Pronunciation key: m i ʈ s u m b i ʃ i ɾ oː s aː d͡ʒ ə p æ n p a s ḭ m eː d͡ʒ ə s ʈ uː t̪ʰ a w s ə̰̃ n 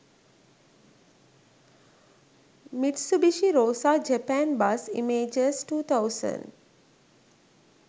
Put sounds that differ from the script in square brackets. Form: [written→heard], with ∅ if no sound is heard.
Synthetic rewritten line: m i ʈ s u [m→∅] b i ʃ i ɾ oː s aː d͡ʒ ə p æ n [p→b] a s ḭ m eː d͡ʒ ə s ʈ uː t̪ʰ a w s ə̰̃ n

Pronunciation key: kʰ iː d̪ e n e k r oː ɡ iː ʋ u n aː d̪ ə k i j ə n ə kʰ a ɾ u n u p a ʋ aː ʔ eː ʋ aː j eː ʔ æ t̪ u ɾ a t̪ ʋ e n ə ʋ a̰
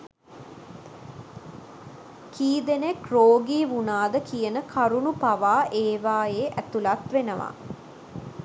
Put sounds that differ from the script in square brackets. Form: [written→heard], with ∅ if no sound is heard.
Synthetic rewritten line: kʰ iː d̪ e n e k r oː ɡ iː ʋ u n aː d̪ ə k i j ə n ə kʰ a ɾ u n u p a ʋ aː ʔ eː ʋ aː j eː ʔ æ t̪ u [ɾ→l] a t̪ ʋ e n ə ʋ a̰

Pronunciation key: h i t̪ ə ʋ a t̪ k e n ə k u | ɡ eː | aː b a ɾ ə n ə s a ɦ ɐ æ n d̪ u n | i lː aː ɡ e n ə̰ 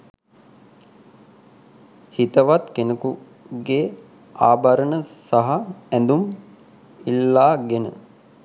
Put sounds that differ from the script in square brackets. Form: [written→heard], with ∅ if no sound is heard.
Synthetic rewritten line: h i t̪ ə ʋ a t̪ k e n ə k u | ɡ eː | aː b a ɾ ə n ə s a ɦ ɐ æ n d̪ u [n→m] | i lː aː ɡ e n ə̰

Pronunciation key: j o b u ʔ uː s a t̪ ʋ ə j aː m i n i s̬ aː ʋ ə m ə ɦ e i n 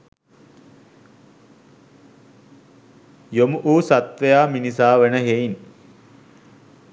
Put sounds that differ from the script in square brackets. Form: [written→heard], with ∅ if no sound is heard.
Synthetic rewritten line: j o [b→m] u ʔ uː s a t̪ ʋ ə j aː m i n i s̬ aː ʋ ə [m→n] ə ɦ e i n

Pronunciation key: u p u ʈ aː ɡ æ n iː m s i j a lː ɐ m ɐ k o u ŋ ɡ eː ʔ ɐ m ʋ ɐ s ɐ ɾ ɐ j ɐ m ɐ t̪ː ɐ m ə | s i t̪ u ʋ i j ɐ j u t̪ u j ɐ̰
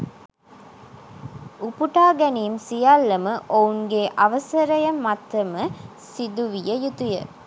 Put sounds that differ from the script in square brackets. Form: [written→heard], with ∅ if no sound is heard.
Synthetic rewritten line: u p u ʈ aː ɡ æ n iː m s i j a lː ɐ m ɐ [k→ʔ] o u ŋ ɡ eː ʔ ɐ [m→∅] ʋ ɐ s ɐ ɾ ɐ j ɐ m ɐ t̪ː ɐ m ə | s i [t̪→d̪] u ʋ i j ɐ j u t̪ u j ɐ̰

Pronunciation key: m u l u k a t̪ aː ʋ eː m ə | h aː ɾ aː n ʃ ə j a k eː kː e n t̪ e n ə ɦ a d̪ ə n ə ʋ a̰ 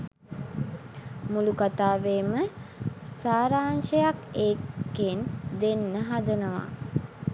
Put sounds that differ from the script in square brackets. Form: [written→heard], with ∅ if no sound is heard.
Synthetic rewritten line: m u l u k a t̪ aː ʋ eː m ə | [h→s] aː ɾ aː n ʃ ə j a k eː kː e n [t̪→d̪] e [n→nː] ə ɦ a d̪ ə n ə ʋ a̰

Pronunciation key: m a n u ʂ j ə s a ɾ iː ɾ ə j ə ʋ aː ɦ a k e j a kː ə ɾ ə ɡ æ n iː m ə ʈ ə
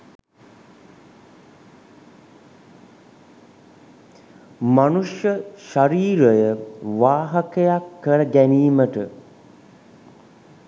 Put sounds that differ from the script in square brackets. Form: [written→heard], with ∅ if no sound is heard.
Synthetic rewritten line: m a n u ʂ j ə [s→ʃ] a ɾ iː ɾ ə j ə ʋ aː ɦ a k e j a kː ə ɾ ə ɡ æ n iː m ə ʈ ə

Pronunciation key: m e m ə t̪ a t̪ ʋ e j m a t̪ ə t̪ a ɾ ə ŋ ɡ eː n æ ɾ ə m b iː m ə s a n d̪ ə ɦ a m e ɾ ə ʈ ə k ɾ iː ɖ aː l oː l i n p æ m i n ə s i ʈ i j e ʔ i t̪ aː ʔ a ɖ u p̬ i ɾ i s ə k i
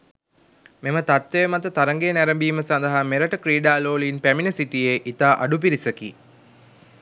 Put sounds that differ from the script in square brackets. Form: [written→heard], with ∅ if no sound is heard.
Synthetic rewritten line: m e m ə t̪ a t̪ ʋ e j m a t̪ ə t̪ a ɾ ə ŋ ɡ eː n æ ɾ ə m b iː m ə s a n d̪ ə ɦ a m e ɾ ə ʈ ə k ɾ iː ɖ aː l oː l i n p æ m i n ə s i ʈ i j e ʔ i t̪ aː ʔ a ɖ u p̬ i ɾ i s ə k i

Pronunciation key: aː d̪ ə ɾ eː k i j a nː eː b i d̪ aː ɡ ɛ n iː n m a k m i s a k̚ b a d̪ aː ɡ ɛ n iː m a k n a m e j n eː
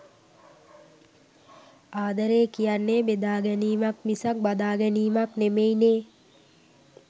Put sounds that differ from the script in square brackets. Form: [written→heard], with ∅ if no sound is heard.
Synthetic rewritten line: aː d̪ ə ɾ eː k i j a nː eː b [i→e] d̪ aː ɡ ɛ n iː [n→∅] m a k m i s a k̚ b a d̪ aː ɡ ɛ n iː m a k n [a→e] m e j n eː

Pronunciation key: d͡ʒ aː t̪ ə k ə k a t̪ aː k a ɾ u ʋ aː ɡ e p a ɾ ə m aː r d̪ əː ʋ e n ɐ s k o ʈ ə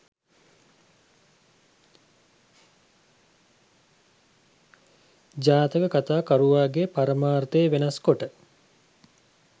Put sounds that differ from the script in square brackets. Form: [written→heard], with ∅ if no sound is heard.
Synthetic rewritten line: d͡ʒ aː t̪ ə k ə k a t̪ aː k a ɾ u ʋ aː ɡ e p a ɾ ə m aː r [d̪→t̪] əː ʋ e n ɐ s k o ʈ ə

